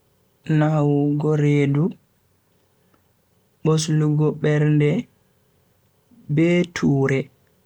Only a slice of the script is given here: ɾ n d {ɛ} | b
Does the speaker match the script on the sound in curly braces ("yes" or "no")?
yes